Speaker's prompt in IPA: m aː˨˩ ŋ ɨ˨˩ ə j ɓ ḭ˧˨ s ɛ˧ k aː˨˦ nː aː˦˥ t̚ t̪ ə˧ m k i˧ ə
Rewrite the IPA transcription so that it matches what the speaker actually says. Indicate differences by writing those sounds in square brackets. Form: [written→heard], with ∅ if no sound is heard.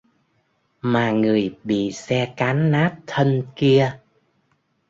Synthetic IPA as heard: m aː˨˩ ŋ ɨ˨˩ ə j ɓ ḭ˧˨ s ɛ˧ k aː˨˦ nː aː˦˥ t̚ [t̪→t̪ʰ] ə˧ [m→n] k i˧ ə